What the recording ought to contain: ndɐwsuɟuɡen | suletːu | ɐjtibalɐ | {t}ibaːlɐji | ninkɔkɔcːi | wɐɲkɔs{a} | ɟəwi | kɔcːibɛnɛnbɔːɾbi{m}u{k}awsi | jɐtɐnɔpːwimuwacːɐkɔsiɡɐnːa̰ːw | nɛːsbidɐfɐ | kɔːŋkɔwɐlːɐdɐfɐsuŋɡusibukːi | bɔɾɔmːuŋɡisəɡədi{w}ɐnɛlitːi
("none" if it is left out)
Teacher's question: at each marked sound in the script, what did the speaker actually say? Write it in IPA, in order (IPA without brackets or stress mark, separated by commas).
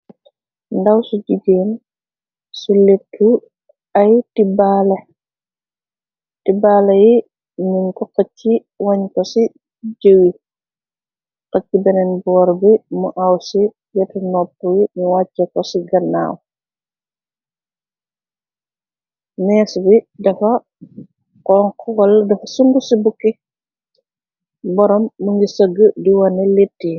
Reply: t, i, m, ʔ, w